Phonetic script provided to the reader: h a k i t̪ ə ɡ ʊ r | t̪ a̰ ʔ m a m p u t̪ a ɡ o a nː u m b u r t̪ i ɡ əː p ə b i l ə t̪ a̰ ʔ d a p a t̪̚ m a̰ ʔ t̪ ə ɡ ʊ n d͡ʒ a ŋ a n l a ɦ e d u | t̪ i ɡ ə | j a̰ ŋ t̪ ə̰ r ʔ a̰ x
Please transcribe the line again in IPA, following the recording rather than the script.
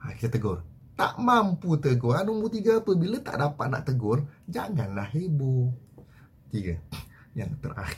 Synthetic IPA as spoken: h a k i t̪ ə ɡ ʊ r | t̪ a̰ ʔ m a m p u t̪ ə ɡ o a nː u m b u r t̪ i ɡ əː p ə b i l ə t̪ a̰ ʔ d a p a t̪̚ n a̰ ʔ t̪ ə ɡ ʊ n d͡ʒ a ŋ a n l a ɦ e b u | t̪ i ɡ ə | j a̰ ŋ t̪ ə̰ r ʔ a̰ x